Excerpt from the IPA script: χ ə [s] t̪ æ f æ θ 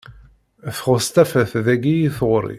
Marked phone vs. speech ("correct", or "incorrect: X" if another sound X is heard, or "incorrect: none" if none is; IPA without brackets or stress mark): correct